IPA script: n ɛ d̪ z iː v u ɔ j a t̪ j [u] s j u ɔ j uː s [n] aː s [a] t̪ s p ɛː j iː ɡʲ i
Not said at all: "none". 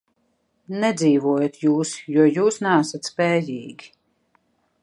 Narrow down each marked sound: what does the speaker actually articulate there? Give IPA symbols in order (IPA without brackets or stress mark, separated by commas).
uː, n, a